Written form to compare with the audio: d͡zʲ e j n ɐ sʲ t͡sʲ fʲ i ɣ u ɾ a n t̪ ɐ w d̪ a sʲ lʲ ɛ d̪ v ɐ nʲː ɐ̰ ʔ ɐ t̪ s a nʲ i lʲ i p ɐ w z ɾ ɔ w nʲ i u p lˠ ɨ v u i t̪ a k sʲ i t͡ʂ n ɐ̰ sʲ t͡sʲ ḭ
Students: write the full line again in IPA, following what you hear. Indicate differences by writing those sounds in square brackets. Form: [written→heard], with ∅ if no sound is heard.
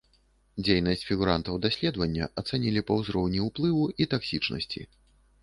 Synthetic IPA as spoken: d͡zʲ e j n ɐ sʲ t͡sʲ fʲ i ɣ u ɾ a n t̪ ɐ w d̪ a sʲ lʲ ɛ d̪ v ɐ nʲː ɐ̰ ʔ ɐ t̪ s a nʲ i lʲ i p ɐ w z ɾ ɔ w nʲ i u p lˠ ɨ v u i t̪ a k sʲ i t͡ʂ n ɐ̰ sʲ t͡sʲ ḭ